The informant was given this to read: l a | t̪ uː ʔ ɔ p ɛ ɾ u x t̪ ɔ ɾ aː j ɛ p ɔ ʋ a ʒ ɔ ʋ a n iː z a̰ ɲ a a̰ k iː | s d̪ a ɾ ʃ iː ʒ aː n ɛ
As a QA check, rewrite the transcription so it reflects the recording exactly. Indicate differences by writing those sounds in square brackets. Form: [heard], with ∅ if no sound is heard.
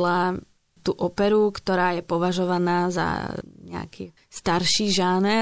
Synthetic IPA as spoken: l a | t̪ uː ʔ ɔ p ɛ ɾ u [k] t̪ ɔ ɾ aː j ɛ p ɔ ʋ a ʒ ɔ ʋ a n [aː] z a̰ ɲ [ɛ] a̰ k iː | s [t̪] a ɾ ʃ iː ʒ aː n ɛ